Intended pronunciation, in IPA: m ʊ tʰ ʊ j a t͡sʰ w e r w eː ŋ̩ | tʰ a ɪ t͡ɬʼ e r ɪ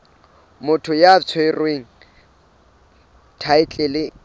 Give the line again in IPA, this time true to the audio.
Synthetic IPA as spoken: m ʊ tʰ ʊ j a t͡sʰ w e r w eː ŋ̩ | tʰ a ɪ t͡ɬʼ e l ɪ